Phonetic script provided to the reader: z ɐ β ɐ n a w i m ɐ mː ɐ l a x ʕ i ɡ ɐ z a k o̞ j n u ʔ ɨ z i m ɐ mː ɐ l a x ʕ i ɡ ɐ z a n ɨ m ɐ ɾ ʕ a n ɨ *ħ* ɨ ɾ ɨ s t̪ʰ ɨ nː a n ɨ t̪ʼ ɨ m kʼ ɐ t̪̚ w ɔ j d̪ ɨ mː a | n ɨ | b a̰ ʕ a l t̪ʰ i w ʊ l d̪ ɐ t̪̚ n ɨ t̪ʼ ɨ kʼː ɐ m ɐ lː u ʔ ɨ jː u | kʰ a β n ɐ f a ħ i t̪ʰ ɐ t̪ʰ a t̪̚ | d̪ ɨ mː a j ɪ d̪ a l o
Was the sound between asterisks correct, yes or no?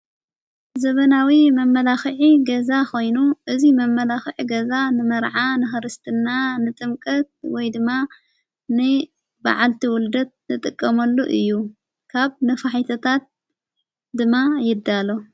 no